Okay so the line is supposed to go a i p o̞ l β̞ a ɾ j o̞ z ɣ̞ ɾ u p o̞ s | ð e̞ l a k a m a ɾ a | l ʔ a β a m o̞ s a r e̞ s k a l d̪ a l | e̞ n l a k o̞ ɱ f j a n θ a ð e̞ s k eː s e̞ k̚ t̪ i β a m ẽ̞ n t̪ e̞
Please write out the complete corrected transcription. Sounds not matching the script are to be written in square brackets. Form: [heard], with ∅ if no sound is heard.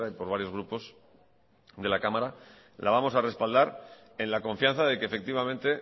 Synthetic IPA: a i p o̞ [ɾ] β̞ a ɾ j o̞ z ɣ̞ ɾ u p o̞ s | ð e̞ l a k a m a ɾ a | l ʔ a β a m o̞ s a r e̞ s [p] a l d̪ a [ɾ] | e̞ n l a k o̞ ɱ f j a n θ a ð e̞ [∅] k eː [f] e̞ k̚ t̪ i β a m ẽ̞ n t̪ e̞